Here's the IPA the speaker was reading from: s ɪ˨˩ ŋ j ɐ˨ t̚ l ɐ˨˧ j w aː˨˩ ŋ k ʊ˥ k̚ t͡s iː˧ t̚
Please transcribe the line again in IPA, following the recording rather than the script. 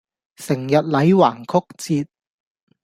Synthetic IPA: s ɪ˨˩ ŋ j ɐ˨ t̚ l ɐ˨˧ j w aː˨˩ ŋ kʰ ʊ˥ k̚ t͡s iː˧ t̚